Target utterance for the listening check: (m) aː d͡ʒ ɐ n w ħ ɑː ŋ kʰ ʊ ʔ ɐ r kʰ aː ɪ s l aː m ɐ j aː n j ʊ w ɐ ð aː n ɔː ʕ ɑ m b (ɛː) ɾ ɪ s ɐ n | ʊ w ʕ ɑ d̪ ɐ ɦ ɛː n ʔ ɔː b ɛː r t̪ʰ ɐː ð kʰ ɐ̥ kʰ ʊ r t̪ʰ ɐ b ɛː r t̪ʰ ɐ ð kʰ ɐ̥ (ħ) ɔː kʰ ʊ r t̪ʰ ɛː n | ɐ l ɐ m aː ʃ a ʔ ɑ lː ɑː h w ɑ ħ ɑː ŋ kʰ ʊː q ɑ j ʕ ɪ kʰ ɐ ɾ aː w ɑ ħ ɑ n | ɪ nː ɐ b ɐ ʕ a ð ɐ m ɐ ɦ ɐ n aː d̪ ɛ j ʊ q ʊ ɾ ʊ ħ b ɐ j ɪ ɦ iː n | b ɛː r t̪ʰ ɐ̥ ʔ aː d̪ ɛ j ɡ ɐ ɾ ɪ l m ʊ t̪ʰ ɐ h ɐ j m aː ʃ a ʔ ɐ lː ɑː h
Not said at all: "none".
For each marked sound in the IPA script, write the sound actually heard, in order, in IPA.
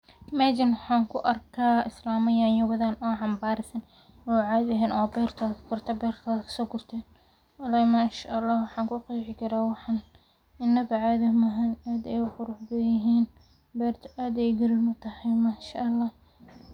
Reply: m, aː, s

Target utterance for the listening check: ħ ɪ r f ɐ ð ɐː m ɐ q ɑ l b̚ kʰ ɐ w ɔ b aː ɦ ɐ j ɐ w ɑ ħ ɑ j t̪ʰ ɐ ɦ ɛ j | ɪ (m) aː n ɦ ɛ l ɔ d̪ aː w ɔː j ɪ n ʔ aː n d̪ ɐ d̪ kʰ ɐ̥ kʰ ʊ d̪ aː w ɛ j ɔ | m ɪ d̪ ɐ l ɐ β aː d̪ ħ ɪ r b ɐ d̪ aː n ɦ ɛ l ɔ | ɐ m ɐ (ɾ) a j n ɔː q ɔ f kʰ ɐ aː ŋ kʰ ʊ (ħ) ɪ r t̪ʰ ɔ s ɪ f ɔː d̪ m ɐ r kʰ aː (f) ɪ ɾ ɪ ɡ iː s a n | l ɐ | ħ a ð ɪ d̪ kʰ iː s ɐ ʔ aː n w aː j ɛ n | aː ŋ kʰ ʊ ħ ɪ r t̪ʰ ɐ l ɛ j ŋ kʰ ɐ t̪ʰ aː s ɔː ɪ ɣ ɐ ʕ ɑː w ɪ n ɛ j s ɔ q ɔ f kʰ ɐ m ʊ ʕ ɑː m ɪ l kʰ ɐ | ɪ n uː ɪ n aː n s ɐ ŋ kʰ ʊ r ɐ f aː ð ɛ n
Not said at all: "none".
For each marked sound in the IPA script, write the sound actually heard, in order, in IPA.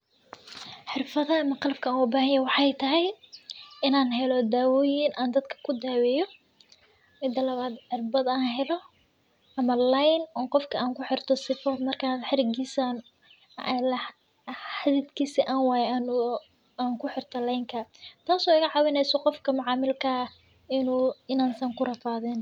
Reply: n, l, ħ, ħ

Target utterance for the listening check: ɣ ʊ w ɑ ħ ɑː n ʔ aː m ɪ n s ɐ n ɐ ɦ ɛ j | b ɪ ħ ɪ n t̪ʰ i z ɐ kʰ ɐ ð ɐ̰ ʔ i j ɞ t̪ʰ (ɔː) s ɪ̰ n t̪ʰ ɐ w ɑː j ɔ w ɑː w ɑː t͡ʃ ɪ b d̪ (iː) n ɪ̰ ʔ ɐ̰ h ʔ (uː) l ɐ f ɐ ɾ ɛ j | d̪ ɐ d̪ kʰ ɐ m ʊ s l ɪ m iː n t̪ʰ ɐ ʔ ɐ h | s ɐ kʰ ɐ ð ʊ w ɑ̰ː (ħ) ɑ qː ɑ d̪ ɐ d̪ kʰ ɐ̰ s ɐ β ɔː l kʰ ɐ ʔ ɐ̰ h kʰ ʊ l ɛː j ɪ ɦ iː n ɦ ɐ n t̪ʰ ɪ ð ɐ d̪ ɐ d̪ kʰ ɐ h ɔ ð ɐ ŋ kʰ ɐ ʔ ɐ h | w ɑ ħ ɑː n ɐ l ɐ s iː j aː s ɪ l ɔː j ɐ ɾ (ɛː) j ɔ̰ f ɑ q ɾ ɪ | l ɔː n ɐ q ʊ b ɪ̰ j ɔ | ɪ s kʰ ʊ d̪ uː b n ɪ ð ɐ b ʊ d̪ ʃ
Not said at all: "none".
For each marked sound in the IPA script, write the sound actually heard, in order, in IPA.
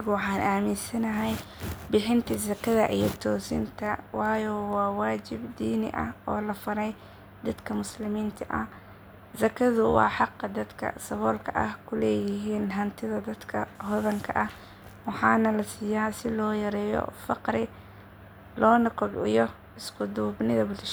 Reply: ɔː, iː, ɔː, ħ, ɛː

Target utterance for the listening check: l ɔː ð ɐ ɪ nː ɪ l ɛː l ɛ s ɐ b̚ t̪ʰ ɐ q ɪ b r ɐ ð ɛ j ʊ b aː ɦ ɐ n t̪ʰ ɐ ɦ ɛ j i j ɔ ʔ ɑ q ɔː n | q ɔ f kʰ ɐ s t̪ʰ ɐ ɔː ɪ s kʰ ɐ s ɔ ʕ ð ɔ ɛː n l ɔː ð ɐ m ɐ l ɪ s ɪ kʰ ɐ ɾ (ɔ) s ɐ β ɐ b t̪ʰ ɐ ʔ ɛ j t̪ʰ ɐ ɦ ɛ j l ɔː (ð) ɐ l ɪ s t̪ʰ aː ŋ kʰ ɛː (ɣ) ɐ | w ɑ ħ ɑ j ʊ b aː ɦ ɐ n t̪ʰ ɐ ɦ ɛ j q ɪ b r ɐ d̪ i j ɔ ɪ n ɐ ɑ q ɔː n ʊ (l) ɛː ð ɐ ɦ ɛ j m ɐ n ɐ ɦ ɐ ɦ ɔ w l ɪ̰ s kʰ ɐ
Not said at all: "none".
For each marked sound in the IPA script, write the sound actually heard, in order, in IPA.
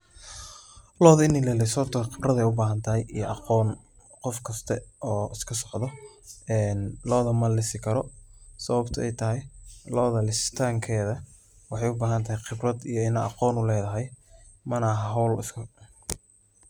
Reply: ɔ, ð, ð, l

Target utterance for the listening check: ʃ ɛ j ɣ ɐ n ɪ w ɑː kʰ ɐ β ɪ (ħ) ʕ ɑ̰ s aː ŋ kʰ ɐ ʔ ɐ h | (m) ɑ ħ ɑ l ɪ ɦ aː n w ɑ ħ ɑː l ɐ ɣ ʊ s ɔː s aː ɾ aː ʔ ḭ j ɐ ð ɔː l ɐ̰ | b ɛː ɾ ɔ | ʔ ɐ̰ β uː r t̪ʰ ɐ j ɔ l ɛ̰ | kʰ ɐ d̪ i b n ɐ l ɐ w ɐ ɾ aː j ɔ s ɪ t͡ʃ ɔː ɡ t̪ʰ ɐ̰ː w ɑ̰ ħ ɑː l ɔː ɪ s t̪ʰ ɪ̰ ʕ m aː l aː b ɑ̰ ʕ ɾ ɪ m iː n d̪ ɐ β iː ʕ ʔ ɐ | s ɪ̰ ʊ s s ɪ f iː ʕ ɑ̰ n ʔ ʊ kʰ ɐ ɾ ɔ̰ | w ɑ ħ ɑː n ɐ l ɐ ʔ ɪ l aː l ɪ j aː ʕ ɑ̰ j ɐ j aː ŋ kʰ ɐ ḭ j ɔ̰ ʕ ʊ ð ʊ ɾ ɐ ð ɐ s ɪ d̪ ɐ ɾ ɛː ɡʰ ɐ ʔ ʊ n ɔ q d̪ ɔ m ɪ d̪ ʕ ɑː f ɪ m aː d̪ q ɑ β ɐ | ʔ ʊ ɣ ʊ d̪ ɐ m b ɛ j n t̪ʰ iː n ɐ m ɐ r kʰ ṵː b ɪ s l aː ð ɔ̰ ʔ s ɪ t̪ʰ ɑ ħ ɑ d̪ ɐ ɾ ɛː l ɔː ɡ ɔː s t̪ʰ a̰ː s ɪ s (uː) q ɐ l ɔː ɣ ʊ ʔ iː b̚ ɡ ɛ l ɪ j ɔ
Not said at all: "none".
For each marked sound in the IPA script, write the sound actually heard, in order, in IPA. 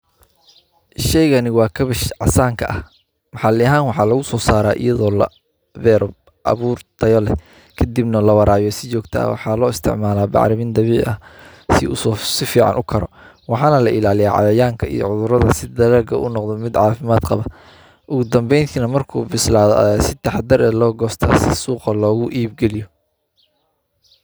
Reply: ʃ, m, uː

